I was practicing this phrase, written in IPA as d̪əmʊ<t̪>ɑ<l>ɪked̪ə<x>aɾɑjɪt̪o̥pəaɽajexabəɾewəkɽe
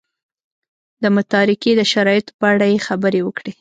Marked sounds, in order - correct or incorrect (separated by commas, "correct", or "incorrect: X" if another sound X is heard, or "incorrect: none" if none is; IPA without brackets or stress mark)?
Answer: correct, incorrect: ɾ, incorrect: ʃ